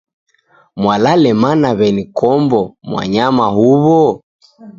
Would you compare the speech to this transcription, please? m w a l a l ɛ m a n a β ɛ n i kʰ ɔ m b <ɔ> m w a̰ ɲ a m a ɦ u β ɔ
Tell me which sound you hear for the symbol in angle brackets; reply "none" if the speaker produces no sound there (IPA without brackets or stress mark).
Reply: ɔ